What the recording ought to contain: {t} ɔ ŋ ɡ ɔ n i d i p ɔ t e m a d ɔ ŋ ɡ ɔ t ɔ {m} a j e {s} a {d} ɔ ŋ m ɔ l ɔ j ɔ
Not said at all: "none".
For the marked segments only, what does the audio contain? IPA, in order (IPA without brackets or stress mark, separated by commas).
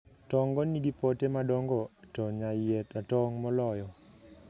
t, ɲ, t, t